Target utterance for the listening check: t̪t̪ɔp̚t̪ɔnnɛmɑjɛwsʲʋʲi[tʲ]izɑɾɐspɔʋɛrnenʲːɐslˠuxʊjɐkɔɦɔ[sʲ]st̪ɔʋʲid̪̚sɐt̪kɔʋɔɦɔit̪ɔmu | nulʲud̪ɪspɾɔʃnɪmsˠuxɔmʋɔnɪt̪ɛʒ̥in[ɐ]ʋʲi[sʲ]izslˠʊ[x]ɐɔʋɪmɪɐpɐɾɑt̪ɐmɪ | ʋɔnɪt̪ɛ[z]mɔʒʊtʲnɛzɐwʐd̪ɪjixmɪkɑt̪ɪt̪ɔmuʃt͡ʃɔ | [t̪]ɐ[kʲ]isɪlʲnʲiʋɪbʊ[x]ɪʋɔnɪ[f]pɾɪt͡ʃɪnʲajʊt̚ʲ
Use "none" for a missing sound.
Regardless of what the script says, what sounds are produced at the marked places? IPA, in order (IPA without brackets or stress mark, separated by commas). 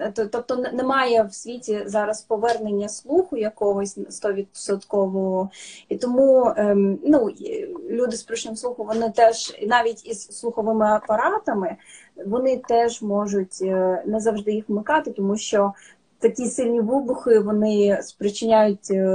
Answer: tʲ, sʲ, ɑ, tʲ, x, ʒ, t̪, kʲ, x, s